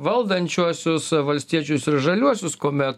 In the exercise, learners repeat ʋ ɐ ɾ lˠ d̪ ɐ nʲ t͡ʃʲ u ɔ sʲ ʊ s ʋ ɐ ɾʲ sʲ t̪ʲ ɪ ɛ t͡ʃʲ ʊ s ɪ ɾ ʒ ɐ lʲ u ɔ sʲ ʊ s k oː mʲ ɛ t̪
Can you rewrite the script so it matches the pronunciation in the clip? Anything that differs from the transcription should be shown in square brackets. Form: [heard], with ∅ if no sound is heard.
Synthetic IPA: ʋ ɐ [∅] lˠ d̪ ɐ nʲ t͡ʃʲ u ɔ sʲ ʊ s ʋ ɐ [lʲ] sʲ t̪ʲ [i] ɛ t͡ʃʲ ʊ s ɪ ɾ ʒ ɐ lʲ u ɔ sʲ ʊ s k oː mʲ ɛ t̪

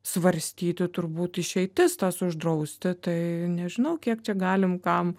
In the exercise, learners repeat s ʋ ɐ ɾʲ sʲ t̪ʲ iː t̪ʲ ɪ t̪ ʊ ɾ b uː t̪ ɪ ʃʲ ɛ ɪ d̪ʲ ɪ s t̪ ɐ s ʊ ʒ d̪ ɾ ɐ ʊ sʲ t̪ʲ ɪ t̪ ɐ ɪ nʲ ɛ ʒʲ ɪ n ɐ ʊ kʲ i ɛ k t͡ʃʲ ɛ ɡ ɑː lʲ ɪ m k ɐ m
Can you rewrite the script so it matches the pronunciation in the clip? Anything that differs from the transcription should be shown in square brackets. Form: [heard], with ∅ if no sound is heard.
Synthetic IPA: s ʋ ɐ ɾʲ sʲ t̪ʲ iː t̪ʲ ɪ t̪ ʊ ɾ b uː t̪ ɪ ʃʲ ɛ ɪ [t̪ʲ] ɪ s t̪ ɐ s ʊ ʒ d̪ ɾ ɐ ʊ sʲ t̪ʲ ɪ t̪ ɐ ɪ nʲ ɛ ʒʲ ɪ n ɐ ʊ kʲ i ɛ k t͡ʃʲ ɛ ɡ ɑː lʲ ɪ m k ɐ m

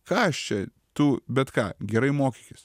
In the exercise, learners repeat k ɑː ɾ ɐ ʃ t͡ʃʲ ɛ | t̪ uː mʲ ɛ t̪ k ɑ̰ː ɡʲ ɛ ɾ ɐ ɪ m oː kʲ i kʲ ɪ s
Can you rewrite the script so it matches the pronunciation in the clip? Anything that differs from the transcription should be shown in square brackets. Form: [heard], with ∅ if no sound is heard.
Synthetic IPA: k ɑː [∅] ɐ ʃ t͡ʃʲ ɛ | t̪ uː [bʲ] ɛ t̪ k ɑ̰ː ɡʲ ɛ ɾ ɐ ɪ m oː kʲ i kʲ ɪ s

